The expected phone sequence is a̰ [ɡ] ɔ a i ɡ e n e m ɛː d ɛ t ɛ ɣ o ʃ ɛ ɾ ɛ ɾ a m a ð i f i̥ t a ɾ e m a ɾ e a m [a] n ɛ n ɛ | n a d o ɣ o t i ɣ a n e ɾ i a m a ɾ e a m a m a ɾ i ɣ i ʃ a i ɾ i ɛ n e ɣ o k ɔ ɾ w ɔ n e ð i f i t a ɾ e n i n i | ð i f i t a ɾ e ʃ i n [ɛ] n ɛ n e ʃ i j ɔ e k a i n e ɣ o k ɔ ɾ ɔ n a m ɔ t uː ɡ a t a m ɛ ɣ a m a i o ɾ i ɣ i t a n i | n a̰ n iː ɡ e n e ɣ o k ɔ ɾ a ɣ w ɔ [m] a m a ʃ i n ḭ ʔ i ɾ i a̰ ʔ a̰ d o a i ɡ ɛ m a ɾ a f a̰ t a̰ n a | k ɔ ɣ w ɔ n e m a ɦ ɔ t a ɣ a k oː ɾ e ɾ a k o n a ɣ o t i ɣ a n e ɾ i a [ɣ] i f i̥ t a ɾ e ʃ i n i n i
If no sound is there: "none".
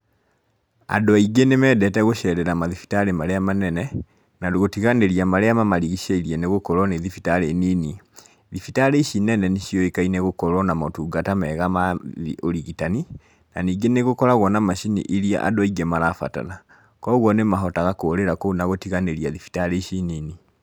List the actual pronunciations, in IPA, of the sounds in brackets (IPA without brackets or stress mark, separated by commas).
d, a, ɛ, n, ð